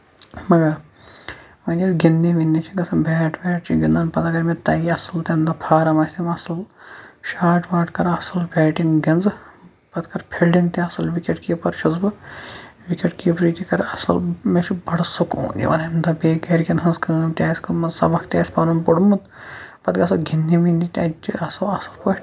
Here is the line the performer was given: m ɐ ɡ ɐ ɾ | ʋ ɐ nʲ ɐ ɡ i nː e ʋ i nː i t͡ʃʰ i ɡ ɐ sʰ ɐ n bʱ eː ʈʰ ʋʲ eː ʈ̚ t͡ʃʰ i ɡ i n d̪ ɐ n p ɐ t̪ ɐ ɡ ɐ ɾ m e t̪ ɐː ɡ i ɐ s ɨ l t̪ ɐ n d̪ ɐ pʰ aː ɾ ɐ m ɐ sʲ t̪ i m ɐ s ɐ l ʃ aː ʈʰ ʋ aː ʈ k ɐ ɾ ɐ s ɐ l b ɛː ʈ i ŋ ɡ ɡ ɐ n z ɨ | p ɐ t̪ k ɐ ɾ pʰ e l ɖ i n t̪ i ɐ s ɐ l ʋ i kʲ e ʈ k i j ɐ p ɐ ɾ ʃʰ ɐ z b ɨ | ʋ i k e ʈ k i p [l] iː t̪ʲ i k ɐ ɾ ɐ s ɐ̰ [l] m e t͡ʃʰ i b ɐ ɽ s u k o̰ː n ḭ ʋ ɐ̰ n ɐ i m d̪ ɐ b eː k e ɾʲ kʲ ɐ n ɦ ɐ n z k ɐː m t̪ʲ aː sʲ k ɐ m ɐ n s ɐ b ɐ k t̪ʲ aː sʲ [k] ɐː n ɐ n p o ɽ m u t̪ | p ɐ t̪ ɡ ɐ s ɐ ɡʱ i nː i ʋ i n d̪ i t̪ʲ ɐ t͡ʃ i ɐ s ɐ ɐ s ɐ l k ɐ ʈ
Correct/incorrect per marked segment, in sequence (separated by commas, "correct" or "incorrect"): incorrect, correct, incorrect